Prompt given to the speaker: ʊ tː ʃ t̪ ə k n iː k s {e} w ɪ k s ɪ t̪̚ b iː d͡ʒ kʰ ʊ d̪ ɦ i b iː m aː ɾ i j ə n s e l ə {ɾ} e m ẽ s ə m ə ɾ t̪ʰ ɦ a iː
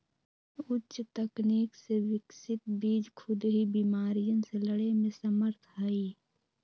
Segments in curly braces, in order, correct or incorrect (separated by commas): correct, incorrect